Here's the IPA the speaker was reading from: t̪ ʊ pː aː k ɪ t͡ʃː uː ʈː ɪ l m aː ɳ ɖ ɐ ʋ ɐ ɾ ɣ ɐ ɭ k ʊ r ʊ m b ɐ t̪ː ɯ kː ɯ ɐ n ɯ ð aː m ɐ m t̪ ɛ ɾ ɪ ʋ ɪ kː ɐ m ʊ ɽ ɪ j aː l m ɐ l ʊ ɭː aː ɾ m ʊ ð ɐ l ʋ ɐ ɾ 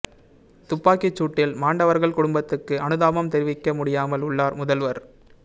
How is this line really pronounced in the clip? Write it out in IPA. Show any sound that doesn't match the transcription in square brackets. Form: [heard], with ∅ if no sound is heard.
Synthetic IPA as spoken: t̪ ʊ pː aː k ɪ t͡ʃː uː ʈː ɪ l m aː ɳ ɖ ɐ ʋ ɐ ɾ ɣ ɐ ɭ k ʊ [ɽ] ʊ m b ɐ t̪ː ɯ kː ɯ ɐ n ɯ ð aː m ɐ m t̪ ɛ ɾ ɪ ʋ ɪ kː ɐ m ʊ ɽ ɪ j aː [∅] m ɐ l ʊ ɭː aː ɾ m ʊ ð ɐ l ʋ ɐ ɾ